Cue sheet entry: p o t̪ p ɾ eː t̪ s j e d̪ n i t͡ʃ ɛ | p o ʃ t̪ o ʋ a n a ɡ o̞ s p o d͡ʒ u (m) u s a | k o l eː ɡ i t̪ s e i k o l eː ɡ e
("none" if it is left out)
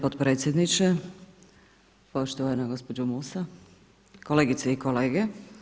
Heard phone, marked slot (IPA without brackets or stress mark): m